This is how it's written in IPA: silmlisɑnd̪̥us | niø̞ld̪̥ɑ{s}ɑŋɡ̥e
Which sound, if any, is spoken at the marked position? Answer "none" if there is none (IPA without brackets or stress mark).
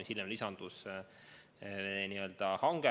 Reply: h